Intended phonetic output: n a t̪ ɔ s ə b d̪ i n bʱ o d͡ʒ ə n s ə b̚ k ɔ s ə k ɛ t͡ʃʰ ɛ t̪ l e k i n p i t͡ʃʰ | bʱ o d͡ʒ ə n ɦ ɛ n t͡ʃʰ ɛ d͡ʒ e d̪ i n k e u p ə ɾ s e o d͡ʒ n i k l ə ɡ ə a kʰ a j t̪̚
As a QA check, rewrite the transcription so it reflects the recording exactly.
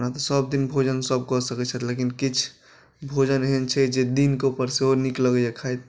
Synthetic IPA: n a t̪ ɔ s ə b d̪ i n bʱ o d͡ʒ ə n s ə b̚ k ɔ s ə k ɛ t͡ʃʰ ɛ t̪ l e k i n k i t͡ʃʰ | bʱ o d͡ʒ ə n ɦ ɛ n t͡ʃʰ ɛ d͡ʒ e d̪ i n k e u p ə ɾ s e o n i k l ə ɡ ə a kʰ a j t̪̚